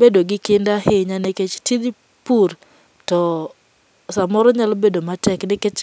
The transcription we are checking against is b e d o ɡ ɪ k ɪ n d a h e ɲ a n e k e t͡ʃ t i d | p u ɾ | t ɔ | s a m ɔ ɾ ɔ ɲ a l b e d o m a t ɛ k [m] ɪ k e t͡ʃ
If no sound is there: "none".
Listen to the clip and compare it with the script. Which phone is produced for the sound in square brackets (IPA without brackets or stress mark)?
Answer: n